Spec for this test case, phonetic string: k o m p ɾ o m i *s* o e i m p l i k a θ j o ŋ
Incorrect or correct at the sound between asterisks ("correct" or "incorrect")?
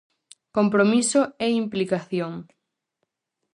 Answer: correct